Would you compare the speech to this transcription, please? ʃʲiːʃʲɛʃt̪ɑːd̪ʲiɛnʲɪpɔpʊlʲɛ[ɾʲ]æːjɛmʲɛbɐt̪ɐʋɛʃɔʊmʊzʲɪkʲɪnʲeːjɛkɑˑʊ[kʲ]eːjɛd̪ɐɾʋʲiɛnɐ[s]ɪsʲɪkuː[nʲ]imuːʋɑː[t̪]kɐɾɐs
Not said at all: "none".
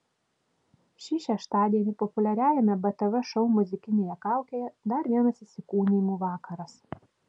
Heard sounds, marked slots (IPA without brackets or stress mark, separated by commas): ɾʲ, kʲ, s, nʲ, none